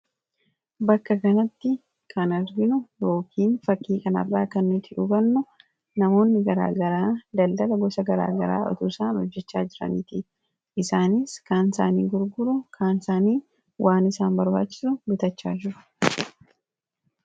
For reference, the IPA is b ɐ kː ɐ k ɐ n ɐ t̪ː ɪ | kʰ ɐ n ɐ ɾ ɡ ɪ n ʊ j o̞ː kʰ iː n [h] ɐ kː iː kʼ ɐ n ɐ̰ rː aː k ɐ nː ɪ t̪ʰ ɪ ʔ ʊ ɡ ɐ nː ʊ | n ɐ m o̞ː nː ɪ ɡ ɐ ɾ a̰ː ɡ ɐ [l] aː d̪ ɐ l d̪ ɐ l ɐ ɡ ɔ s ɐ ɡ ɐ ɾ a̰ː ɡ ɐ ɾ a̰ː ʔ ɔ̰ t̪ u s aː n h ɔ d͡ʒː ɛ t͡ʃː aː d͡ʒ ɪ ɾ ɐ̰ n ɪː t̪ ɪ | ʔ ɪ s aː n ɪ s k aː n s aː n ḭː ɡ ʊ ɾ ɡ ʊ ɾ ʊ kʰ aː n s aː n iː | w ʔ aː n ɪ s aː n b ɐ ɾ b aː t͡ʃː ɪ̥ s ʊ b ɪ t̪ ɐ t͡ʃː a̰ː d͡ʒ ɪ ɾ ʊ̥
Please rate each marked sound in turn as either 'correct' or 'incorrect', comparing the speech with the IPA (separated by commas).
incorrect, incorrect